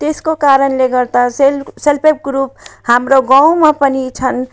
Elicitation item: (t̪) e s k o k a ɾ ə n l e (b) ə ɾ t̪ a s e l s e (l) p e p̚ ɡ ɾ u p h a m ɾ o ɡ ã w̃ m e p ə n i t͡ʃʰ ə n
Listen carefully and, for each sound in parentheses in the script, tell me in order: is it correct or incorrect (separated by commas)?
correct, incorrect, correct